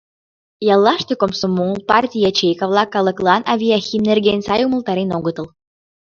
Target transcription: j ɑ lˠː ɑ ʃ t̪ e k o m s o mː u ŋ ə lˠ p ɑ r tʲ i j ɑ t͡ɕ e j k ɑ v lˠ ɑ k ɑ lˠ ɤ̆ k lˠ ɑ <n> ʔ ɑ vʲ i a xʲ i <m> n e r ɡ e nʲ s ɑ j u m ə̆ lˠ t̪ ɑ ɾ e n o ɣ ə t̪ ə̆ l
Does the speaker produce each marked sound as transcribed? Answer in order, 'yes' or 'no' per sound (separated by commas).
yes, yes